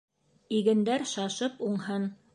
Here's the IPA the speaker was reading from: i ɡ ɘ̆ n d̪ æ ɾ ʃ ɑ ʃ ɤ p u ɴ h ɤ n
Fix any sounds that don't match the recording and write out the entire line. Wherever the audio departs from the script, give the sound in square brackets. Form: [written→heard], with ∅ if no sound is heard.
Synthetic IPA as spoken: i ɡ ɘ̆ n d̪ æ ɾ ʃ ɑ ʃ ɤ p u ɴ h ɤ n